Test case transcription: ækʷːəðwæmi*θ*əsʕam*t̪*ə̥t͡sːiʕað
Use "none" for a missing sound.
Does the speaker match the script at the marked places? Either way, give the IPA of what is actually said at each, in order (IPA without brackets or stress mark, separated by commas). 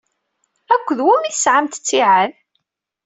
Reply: θ, t̪